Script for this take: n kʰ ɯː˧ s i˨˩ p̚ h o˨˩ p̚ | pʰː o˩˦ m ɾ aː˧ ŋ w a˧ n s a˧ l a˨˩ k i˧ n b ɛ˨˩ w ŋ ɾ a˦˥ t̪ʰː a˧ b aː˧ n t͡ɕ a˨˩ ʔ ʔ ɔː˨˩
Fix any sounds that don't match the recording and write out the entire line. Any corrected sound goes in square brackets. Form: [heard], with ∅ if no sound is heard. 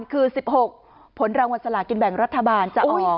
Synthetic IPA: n kʰ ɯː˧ s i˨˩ p̚ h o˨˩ [k̚] | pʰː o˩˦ [n] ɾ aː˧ ŋ w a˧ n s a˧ l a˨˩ k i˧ n b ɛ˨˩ [∅] ŋ ɾ a˦˥ t̪ʰː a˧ b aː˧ n t͡ɕ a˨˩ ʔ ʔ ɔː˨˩